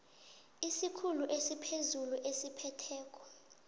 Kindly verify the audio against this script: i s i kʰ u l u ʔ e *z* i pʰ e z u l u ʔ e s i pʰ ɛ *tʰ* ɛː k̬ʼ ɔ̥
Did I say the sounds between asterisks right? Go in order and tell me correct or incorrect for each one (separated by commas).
incorrect, correct